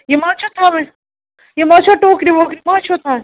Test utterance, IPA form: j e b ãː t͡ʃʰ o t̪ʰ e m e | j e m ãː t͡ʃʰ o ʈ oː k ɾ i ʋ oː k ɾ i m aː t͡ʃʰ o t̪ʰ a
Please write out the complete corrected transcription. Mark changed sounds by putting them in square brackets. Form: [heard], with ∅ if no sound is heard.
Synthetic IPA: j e [m] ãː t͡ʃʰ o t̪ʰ [a] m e | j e m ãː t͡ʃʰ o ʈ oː k ɾ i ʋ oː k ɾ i m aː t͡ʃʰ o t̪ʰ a